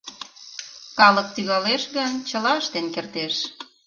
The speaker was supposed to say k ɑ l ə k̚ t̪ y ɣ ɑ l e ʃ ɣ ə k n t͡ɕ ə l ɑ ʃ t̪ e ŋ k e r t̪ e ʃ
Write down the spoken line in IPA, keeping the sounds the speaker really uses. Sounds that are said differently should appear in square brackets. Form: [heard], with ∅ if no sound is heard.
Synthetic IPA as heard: k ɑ l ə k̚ t̪ y ɣ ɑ l e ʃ ɣ ə [∅] n t͡ɕ ə l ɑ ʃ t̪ e [n] k e r t̪ e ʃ